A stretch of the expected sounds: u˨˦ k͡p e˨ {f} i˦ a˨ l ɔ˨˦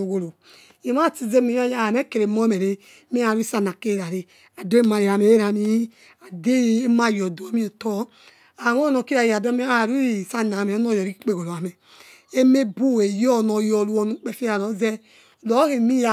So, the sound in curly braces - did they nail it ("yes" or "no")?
yes